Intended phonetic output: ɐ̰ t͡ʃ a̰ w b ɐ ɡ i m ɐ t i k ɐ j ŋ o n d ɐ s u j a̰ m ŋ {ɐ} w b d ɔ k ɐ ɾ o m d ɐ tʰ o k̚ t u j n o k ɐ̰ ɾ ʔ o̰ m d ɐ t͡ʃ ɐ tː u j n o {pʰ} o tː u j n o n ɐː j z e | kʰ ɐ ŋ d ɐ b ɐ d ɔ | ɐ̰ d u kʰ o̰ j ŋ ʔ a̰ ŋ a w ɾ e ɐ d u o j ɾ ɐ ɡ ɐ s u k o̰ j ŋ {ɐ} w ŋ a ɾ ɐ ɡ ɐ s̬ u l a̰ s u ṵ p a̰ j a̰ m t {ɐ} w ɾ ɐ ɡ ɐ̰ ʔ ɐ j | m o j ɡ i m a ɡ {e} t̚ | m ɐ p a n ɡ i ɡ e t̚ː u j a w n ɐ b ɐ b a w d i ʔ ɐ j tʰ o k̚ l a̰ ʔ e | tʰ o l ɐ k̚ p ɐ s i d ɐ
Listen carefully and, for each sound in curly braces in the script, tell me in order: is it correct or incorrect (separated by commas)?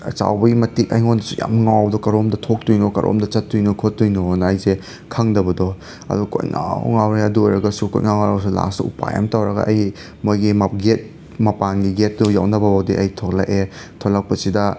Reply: incorrect, incorrect, incorrect, incorrect, correct